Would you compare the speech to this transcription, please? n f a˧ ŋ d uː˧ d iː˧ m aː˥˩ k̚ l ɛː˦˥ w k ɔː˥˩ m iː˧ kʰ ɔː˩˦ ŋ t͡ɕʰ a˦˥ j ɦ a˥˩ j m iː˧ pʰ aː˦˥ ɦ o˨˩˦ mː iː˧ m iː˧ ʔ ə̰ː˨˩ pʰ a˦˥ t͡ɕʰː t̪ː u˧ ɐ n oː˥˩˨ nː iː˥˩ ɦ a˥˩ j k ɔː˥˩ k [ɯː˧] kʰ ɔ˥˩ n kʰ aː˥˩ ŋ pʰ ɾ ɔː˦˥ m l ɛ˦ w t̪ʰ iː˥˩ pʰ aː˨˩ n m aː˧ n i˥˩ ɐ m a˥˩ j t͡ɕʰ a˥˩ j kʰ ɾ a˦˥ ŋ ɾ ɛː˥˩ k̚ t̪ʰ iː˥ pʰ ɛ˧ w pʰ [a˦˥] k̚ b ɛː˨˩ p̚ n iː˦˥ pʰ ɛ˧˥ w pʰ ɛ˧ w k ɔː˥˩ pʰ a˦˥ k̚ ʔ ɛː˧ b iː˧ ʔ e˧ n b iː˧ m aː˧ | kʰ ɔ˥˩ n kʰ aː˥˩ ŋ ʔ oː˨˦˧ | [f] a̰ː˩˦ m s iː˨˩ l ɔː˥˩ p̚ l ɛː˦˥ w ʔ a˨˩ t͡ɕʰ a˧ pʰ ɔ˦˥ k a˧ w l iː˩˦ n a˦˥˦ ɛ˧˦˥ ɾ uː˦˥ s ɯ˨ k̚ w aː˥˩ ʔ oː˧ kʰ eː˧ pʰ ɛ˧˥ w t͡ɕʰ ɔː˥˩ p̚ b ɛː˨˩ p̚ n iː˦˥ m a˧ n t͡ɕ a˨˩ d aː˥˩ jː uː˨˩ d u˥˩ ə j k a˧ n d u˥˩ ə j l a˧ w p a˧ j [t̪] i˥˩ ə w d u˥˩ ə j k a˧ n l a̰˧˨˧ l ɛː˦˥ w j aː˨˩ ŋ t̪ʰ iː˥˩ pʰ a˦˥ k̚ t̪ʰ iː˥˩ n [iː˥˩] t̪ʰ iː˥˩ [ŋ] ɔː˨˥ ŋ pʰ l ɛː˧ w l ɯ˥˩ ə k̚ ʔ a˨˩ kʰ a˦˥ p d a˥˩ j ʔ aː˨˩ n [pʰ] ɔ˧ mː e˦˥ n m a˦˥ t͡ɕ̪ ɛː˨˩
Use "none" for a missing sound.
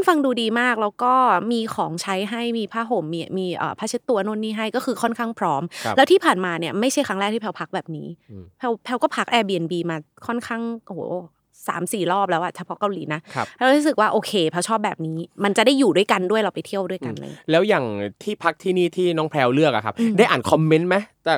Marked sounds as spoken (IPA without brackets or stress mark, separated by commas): ɯː˧, a˦˥, s, t̪ʰ, iː˥˩, n, kʰ